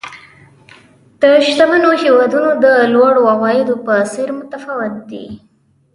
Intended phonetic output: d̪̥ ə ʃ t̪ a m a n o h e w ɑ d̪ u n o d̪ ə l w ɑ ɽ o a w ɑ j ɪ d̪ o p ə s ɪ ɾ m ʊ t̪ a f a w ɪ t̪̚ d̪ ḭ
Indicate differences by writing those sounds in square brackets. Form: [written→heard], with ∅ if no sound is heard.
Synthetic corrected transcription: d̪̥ ə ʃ t̪ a m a n o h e w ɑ d̪ u n o d̪ ə l w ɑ ɽ o a w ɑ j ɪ d̪ o p ə s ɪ ɾ m ʊ t̪ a f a w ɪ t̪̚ d̪ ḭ